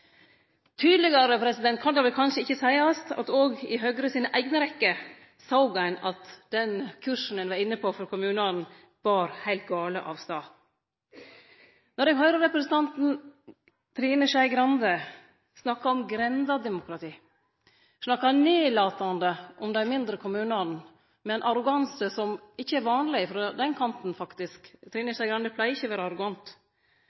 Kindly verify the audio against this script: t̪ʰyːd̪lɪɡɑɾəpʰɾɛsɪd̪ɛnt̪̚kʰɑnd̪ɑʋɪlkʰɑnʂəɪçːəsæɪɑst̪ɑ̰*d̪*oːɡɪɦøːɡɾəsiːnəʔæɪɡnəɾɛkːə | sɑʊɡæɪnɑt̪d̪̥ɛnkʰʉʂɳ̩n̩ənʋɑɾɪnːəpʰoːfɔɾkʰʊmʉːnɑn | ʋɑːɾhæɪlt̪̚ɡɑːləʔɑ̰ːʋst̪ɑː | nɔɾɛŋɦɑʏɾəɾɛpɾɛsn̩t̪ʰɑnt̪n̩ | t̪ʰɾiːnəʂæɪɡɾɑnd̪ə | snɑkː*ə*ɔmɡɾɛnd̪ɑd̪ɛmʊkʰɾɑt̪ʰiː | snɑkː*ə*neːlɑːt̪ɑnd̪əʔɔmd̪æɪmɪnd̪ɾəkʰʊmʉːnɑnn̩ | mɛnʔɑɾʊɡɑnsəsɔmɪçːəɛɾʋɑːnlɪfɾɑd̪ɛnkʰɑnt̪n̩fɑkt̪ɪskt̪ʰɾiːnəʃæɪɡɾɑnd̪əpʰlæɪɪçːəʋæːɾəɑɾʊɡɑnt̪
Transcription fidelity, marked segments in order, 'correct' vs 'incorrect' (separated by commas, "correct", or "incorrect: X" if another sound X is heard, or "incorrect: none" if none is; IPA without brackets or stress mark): incorrect: t̪, incorrect: ɑ, incorrect: ɑ